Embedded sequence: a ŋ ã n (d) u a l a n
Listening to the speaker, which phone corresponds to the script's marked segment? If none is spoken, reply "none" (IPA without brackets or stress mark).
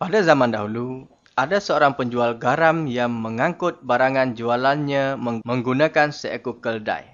d͡ʒ